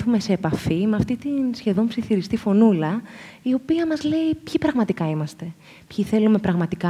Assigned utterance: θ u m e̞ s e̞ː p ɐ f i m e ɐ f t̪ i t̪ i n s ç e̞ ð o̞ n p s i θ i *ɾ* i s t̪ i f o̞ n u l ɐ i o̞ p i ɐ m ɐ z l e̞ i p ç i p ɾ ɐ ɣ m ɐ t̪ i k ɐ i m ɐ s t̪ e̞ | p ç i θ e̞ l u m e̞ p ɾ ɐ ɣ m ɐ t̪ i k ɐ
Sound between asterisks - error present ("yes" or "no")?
no